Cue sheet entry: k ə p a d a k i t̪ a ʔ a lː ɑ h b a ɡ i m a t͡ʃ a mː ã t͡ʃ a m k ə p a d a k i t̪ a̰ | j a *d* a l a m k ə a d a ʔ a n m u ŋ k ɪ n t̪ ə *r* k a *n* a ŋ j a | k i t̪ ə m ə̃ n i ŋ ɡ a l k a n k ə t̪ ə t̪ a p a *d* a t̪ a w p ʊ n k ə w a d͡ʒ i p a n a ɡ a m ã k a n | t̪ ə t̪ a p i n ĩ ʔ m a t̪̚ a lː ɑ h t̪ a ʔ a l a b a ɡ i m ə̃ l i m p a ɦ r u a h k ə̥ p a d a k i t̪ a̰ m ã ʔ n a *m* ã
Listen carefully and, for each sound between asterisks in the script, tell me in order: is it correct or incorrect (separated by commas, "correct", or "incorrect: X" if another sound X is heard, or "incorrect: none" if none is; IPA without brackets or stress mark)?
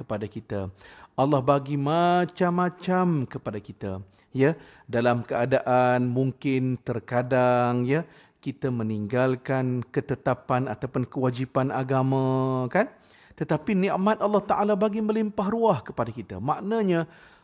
correct, correct, incorrect: d, incorrect: n, incorrect: ɲ